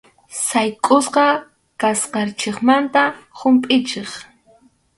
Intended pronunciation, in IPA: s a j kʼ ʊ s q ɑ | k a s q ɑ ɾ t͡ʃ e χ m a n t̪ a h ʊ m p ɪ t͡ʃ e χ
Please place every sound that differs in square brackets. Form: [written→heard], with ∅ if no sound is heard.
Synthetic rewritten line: s a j kʼ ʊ s q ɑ | k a s q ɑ ɾ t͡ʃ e χ m a n t̪ a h ʊ m [p→pʼ] ɪ t͡ʃ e χ